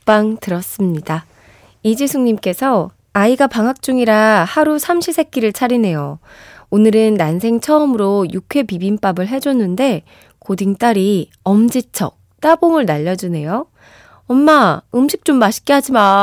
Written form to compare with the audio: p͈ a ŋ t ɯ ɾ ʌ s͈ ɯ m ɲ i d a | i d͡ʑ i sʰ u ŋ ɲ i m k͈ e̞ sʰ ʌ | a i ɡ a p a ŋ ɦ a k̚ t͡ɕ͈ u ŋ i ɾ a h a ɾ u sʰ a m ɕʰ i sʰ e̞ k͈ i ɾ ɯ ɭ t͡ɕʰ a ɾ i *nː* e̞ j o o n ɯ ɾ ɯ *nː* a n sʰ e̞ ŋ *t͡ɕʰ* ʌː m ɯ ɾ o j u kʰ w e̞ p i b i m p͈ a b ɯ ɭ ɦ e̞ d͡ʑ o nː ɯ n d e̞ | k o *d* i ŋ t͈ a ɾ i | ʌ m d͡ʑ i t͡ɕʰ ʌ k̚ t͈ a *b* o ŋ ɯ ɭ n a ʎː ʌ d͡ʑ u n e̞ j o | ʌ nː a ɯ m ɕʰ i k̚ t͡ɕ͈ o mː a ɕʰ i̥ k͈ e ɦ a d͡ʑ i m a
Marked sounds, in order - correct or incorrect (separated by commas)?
incorrect, correct, correct, correct, correct